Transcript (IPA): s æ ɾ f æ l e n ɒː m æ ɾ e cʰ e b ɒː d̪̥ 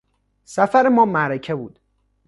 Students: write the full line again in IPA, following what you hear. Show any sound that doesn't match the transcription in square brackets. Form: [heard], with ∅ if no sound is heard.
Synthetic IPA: s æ [∅] f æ [ɾ] e [m] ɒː m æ ɾ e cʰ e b [uː] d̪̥